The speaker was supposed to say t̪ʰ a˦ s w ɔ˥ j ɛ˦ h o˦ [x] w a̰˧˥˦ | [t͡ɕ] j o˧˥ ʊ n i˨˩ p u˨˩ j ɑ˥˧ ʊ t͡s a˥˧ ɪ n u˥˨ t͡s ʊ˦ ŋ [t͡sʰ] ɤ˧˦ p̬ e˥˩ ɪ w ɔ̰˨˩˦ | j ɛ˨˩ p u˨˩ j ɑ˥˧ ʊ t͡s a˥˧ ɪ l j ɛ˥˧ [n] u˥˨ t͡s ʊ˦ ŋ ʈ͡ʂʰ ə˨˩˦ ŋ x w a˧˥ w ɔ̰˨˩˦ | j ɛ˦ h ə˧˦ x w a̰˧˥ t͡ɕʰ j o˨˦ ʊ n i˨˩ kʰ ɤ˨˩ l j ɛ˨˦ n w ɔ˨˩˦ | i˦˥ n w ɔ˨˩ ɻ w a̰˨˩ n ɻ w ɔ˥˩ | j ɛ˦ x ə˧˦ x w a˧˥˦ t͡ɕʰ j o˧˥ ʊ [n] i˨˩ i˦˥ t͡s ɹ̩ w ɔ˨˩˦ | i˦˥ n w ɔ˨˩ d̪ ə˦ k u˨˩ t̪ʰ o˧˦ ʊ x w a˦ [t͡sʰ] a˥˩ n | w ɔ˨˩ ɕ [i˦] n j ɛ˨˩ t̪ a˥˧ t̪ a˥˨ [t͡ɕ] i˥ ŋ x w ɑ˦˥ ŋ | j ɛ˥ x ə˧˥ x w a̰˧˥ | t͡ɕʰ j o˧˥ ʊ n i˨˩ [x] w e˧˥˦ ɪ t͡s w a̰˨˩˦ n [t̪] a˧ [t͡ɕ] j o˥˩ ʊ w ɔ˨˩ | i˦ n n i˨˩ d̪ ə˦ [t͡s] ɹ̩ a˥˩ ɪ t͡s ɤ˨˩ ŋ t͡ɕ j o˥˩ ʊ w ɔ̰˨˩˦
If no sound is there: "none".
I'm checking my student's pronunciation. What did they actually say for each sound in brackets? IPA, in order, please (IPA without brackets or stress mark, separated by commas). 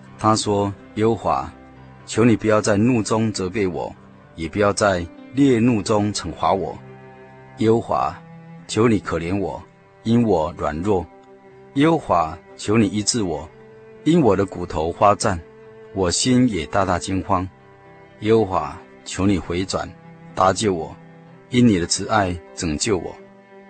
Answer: x, t͡ɕʰ, t͡s, n, n, t͡s, i˦, t͡ɕ, x, t̪, t͡ɕ, t͡sʰ